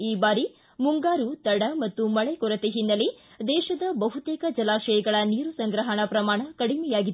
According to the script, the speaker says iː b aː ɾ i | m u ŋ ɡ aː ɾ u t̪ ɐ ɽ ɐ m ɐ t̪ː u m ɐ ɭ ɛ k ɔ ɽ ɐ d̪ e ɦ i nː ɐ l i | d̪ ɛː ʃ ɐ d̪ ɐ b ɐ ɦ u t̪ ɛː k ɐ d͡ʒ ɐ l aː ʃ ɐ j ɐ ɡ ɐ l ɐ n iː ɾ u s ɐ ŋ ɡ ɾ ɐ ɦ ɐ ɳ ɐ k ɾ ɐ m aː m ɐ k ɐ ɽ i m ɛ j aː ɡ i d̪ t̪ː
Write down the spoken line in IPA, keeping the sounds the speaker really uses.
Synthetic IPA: iː b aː ɾ i | m u ŋ ɡ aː ɾ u t̪ ɐ ɽ ɐ m ɐ t̪ː u m ɐ ɭ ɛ k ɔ ɾ ɐ t̪ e ɦ i nː ɐ l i | d̪ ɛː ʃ ɐ d̪ ɐ b ɐ ɦ u t̪ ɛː k ɐ d͡ʒ ɐ l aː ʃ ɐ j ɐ ɡ ɐ ɭ ɐ n iː ɾ u s ɐ ŋ ɡ ɾ ɐ ɦ ɐ ɳ ɐ p ɾ ɐ m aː ɳ ɐ k ɐ ɽ i m ɛ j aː ɡ i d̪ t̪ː